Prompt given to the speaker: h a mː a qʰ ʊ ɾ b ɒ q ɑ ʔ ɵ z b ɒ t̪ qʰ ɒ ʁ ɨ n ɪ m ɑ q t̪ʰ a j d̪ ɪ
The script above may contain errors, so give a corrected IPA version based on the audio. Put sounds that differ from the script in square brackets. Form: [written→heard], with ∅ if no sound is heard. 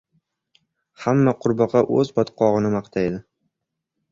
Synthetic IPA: h a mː a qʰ ʊ ɾ b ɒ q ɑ ʔ ɵ z b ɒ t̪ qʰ ɒ ʁ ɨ n ɪ m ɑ q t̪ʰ a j d̪ ɪ